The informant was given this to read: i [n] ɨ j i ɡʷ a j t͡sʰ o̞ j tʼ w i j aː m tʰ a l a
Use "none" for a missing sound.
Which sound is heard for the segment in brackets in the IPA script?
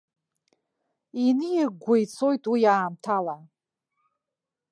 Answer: n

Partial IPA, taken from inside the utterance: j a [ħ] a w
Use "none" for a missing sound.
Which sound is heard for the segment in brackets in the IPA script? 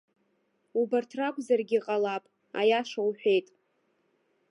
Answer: ʂ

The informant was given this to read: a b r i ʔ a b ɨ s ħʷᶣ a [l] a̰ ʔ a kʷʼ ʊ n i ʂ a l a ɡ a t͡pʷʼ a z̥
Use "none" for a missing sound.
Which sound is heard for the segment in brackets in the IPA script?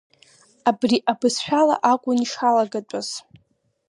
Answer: l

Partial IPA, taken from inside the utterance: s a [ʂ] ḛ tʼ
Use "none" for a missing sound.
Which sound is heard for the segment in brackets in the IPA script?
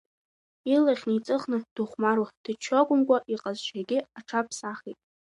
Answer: χ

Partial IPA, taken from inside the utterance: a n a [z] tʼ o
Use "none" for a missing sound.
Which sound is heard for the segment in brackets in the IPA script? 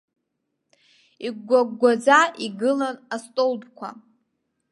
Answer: s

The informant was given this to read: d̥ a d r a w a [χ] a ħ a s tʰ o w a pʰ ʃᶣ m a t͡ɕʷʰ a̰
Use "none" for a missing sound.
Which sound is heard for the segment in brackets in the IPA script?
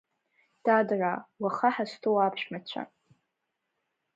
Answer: χ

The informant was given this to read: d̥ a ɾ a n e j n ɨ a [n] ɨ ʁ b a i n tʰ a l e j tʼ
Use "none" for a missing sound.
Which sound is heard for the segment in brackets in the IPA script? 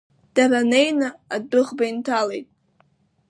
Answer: d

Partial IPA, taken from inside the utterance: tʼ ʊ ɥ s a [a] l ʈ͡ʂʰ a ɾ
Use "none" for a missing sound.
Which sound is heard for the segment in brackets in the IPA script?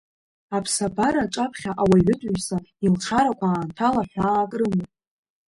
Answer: i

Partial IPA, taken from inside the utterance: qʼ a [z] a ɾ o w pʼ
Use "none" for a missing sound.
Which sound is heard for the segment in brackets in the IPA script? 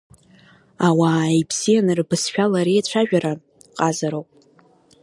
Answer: z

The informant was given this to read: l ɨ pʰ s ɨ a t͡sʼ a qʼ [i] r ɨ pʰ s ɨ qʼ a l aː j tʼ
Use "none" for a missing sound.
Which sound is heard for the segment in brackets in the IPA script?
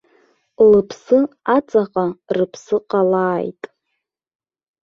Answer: a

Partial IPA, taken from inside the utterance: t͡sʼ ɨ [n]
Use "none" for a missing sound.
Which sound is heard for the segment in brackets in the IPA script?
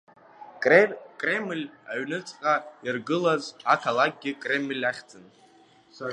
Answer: n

